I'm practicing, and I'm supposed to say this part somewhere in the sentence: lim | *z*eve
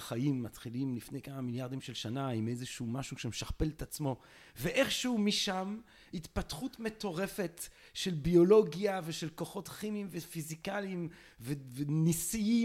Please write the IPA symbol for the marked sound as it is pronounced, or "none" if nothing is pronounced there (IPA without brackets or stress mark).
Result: v